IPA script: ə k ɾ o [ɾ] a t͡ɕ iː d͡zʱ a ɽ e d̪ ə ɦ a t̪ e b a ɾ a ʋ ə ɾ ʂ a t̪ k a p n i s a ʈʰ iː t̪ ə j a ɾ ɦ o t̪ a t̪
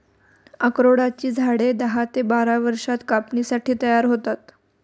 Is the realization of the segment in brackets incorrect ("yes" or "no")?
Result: yes